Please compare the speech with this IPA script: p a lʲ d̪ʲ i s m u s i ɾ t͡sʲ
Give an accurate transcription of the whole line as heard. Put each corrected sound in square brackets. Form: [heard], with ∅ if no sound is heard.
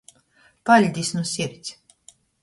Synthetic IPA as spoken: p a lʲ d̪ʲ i s [n] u s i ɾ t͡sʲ